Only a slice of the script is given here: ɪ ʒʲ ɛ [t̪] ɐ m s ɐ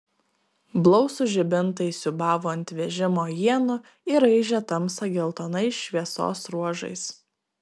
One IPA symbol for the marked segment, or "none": t̪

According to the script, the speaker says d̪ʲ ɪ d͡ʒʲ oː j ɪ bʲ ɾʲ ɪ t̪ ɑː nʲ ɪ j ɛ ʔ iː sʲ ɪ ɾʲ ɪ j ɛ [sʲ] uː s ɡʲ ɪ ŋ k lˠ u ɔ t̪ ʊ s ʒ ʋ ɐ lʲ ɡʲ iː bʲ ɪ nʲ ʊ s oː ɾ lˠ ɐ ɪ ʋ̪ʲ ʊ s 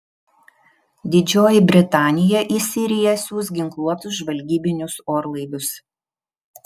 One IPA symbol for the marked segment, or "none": sʲ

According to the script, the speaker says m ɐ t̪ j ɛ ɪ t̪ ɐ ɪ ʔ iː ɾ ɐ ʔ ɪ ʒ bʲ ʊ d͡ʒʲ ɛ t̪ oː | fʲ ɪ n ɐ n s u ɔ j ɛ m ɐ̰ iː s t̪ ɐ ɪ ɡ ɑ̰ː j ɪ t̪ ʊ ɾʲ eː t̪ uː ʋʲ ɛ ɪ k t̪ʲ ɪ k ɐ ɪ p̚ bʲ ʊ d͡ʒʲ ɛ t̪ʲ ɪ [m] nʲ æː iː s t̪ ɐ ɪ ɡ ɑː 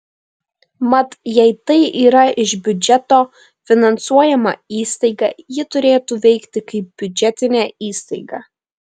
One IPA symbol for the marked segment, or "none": none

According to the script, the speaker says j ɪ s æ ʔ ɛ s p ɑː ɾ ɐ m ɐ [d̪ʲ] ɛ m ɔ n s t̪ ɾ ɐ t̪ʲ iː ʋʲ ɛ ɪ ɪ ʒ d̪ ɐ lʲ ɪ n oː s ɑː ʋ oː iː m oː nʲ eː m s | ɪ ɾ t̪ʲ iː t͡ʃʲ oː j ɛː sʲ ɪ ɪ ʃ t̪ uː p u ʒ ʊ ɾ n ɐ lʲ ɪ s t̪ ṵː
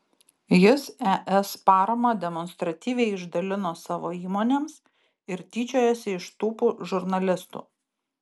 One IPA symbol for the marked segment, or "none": d̪ʲ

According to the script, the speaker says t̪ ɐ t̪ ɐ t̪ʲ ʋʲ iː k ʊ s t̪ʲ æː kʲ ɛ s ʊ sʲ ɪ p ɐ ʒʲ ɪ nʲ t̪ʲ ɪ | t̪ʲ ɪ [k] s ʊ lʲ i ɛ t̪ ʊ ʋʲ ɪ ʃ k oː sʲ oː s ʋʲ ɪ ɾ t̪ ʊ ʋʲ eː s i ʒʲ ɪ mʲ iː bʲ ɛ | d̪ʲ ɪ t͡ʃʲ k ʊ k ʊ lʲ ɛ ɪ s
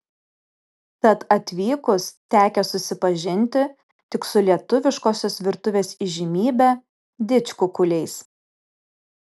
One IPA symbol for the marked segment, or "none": k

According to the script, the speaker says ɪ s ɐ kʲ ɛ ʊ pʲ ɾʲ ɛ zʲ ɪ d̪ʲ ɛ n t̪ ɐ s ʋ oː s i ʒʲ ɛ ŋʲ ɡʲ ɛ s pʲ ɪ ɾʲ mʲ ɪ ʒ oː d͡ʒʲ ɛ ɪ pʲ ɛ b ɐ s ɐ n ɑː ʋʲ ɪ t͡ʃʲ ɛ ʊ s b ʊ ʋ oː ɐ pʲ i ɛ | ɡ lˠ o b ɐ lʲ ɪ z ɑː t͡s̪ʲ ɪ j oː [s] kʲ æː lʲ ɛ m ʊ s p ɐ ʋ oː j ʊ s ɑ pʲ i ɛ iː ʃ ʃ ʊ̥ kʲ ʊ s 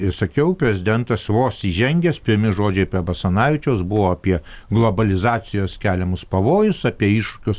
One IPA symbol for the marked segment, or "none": s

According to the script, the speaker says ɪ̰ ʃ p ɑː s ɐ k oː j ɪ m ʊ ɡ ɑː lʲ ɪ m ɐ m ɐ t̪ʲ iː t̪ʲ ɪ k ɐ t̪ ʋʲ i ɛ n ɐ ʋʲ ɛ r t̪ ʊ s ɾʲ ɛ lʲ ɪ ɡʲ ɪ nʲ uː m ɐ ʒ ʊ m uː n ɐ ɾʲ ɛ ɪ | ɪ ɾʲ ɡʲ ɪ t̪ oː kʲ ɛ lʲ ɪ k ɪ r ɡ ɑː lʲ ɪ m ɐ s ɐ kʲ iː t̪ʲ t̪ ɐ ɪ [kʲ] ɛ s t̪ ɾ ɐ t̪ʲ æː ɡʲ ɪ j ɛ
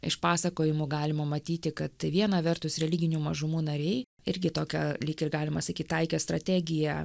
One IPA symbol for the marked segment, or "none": kʲ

